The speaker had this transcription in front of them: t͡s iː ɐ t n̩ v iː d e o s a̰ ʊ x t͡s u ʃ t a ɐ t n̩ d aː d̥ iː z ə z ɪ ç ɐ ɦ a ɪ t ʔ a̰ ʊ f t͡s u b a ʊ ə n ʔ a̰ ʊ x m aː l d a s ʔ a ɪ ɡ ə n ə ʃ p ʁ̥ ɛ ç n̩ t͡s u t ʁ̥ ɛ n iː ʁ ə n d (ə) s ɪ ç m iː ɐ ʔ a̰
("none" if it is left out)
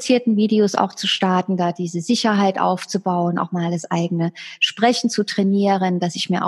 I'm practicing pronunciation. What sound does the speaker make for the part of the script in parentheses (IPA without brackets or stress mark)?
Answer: a